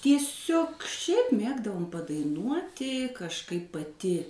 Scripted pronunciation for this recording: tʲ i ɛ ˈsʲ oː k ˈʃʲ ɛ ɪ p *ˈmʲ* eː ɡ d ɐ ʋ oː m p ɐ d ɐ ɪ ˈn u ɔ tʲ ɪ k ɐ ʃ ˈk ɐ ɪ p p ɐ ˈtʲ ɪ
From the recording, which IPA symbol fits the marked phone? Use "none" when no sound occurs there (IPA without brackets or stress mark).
mʲ